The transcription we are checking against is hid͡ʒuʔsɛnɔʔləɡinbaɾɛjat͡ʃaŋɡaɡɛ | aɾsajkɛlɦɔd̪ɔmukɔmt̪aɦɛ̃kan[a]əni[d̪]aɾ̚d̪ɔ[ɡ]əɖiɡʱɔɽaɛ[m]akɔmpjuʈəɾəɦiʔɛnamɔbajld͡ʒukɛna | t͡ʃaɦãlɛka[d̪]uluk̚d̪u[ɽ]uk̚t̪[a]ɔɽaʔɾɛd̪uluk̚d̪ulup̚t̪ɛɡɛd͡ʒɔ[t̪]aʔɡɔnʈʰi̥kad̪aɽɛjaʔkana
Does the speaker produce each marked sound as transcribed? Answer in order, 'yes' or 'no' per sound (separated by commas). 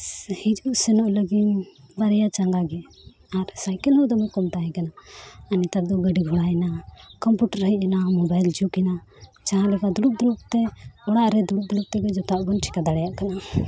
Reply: yes, no, yes, no, yes, no, no, yes